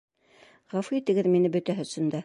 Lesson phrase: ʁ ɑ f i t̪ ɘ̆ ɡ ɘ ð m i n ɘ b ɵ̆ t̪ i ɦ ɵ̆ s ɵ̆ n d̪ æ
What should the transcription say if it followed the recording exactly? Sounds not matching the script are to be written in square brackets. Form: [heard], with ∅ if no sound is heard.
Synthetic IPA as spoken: ʁ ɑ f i t̪ ɘ̆ ɡ ɘ ð m i n ɘ b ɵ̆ t̪ [æ] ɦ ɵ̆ s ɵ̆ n d̪ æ